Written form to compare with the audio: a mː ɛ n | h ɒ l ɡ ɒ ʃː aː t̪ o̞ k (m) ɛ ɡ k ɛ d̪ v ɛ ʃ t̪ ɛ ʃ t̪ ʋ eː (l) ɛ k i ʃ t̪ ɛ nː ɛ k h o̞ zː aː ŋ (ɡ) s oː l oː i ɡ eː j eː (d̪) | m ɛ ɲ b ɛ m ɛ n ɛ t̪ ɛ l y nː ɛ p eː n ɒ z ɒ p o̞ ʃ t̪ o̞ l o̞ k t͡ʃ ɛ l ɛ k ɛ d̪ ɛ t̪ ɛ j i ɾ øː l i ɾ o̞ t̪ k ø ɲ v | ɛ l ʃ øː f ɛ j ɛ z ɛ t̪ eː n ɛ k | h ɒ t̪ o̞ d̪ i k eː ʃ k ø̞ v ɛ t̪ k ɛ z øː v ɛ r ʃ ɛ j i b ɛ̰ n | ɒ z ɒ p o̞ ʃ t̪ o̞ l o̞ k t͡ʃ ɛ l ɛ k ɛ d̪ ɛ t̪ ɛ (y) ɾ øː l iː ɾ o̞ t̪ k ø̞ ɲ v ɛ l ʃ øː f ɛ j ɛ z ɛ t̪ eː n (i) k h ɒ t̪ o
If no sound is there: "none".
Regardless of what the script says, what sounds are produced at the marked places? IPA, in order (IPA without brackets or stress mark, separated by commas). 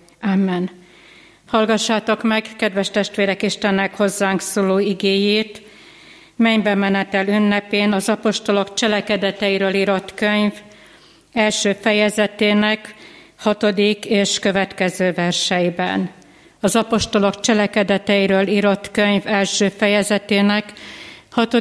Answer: m, ɾ, k, t̪, i, ɛ